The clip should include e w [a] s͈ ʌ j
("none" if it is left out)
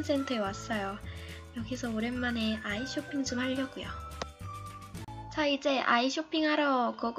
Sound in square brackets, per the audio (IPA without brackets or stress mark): a